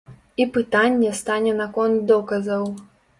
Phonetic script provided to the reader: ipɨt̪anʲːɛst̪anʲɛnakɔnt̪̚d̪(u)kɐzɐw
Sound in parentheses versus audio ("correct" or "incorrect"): incorrect